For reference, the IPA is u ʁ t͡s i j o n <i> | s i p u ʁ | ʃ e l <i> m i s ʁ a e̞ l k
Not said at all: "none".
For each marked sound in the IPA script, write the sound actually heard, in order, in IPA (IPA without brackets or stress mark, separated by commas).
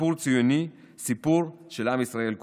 i, a